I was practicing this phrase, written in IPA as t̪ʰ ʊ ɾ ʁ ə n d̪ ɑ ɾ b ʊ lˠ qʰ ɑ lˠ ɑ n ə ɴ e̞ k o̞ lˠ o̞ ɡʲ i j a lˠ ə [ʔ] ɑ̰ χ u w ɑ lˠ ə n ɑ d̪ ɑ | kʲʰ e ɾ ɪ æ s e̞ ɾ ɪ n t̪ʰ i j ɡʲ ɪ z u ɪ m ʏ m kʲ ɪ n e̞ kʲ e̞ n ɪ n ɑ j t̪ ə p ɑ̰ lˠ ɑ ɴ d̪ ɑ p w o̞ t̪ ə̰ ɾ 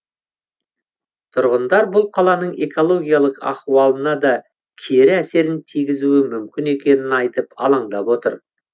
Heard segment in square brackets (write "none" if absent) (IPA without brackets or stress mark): q